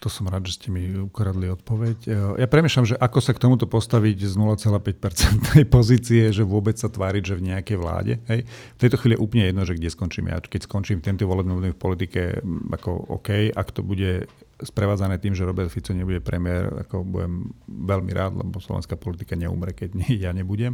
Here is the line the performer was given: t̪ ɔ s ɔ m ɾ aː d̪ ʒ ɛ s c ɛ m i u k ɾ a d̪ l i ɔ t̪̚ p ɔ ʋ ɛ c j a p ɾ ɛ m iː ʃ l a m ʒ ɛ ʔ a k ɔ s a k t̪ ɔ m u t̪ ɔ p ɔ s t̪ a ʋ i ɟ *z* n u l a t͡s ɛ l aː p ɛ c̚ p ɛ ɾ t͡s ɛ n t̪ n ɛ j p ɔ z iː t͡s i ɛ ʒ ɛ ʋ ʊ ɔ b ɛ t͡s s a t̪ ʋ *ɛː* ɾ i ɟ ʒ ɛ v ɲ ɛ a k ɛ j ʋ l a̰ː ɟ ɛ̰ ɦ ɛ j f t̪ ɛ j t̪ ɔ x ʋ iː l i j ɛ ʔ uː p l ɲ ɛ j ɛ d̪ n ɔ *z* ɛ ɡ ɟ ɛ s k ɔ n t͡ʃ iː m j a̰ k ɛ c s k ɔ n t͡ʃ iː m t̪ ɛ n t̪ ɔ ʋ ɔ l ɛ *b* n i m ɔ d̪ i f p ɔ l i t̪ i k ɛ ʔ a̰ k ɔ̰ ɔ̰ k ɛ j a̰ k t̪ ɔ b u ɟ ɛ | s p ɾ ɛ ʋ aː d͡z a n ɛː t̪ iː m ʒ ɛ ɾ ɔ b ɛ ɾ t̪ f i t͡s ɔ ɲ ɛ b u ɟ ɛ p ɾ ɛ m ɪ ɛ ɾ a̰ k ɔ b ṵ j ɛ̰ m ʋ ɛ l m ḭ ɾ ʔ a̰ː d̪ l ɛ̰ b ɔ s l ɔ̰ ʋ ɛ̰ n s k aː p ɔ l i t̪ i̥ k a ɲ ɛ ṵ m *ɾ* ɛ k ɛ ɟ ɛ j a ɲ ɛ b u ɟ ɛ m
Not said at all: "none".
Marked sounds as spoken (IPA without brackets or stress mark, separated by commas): z, aː, ʒ, b, ɾ